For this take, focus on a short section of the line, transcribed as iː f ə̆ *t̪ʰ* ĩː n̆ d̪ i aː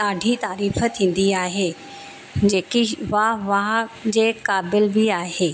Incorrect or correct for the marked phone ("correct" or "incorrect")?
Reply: correct